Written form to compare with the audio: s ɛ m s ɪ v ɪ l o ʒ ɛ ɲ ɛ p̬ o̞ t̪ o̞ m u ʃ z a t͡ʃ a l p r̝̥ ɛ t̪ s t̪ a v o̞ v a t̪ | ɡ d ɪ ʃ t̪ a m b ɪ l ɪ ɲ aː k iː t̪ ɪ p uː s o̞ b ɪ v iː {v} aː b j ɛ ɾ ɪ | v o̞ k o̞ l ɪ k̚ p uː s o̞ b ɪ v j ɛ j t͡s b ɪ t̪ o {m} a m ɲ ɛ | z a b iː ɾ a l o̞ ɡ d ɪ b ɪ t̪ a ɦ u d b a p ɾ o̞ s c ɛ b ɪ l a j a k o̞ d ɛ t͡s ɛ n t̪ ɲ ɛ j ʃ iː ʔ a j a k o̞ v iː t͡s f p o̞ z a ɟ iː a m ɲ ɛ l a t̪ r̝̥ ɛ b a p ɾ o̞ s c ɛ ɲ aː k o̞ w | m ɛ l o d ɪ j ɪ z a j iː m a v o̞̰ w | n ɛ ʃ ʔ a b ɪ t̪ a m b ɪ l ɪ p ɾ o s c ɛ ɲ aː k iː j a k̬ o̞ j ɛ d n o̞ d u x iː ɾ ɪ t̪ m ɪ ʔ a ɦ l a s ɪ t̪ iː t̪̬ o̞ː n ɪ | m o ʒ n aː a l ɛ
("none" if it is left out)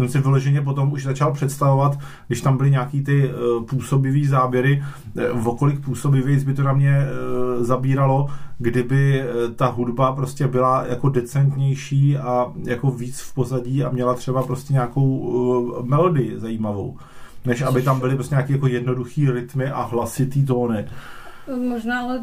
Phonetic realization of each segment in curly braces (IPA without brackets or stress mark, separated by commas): z, n